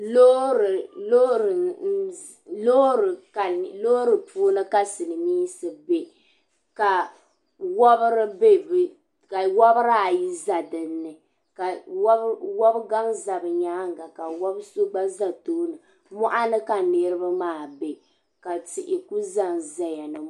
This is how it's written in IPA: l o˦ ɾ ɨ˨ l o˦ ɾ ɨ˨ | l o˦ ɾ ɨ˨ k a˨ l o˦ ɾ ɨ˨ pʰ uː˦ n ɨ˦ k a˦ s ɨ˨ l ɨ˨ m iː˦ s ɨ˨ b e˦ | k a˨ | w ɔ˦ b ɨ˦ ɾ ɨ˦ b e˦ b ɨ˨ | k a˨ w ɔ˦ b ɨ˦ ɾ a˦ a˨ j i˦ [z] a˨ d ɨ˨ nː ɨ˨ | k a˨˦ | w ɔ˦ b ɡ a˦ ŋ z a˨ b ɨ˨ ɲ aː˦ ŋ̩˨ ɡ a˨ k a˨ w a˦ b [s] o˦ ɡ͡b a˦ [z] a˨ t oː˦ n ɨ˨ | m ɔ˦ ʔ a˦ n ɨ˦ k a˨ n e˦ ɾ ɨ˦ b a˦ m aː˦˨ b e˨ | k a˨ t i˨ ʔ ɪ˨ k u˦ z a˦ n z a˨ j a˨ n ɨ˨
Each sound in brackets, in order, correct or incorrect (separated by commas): correct, correct, correct